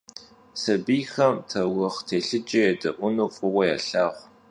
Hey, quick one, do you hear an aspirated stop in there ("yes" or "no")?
yes